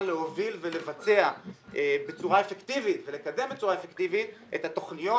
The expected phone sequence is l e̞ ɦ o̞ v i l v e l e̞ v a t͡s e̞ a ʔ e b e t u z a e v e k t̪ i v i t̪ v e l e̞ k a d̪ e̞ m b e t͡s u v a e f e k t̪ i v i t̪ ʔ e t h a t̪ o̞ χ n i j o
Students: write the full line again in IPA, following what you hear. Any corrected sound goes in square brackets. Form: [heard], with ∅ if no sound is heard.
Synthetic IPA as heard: l e̞ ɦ o̞ v i l v e l e̞ v a t͡s e̞ a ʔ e b e [t͡s] u [ʁ] a e [f] e k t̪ i v i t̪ v e l e̞ k a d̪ e̞ m b e t͡s u [ʁ] a e f e k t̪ i v i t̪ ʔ e t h a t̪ o̞ χ n i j o